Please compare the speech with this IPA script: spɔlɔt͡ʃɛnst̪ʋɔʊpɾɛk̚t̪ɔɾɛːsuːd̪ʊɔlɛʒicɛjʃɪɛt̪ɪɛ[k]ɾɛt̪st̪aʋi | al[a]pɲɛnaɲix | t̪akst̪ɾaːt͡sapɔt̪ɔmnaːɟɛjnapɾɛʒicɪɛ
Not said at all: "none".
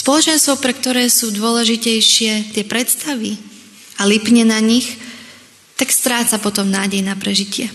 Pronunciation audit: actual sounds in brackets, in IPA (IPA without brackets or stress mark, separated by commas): p, i